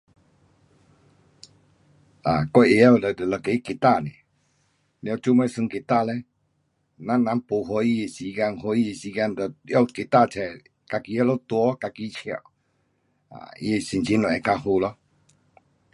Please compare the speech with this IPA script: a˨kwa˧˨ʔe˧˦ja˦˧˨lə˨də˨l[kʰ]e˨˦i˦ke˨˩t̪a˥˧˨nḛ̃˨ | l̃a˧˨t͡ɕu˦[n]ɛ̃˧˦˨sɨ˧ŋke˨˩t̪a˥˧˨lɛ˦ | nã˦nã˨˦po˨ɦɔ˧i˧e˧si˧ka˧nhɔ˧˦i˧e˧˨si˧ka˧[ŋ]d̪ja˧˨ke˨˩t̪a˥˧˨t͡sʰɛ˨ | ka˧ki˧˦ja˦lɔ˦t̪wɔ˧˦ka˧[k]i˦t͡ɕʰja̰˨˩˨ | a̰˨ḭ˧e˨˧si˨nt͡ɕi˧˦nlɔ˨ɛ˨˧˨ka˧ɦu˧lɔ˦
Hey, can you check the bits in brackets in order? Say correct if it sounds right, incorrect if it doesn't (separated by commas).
incorrect, incorrect, incorrect, correct